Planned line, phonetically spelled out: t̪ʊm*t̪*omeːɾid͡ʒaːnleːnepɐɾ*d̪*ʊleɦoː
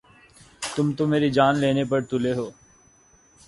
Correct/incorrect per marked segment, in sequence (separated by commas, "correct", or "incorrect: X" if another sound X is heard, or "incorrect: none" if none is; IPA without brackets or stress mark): correct, incorrect: t̪